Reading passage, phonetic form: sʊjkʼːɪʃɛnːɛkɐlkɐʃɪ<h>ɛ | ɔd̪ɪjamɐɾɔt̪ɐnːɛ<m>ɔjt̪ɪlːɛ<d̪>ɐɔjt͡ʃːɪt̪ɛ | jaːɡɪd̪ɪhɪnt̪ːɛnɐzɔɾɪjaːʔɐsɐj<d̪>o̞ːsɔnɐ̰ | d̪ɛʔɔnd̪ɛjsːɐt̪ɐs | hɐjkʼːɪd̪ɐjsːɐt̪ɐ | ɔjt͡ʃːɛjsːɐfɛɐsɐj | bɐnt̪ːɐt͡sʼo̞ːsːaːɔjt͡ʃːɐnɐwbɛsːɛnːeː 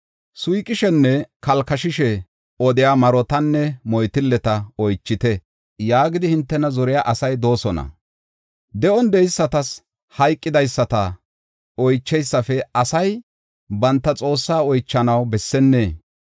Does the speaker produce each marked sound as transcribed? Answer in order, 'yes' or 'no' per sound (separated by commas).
no, yes, no, yes